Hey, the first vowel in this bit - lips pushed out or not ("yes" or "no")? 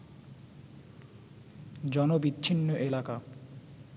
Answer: yes